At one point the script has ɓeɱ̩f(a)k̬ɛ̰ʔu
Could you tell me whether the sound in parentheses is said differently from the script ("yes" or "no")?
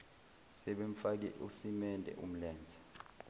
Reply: no